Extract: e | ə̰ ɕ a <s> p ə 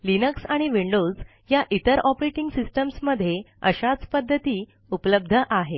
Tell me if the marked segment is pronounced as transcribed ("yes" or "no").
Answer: no